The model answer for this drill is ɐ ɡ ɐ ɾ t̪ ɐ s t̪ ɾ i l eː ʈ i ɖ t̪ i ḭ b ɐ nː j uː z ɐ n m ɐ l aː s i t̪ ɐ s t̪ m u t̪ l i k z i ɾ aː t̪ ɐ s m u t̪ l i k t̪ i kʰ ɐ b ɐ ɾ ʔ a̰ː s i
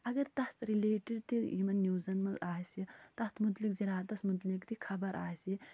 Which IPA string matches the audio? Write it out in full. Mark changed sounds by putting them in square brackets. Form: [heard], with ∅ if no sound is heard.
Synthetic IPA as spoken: ɐ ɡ ɐ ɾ t̪ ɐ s t̪ ɾ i l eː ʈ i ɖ t̪ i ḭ [m] ɐ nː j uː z ɐ n m ɐ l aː s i t̪ ɐ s t̪ m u t̪ l i k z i ɾ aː t̪ ɐ s m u t̪ l i k t̪ i kʰ ɐ b ɐ ɾ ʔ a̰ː s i